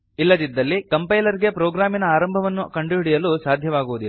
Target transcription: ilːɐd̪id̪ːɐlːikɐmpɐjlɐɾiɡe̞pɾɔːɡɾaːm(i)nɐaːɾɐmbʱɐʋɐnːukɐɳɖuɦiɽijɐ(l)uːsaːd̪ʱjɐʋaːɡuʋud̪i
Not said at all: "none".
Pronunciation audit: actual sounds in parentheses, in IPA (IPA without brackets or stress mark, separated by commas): i, l